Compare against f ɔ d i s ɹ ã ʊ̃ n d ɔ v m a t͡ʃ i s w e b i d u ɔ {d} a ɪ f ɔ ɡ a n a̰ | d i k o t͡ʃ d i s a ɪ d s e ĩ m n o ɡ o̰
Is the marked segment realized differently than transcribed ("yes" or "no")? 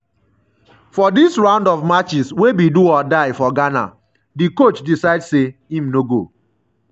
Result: no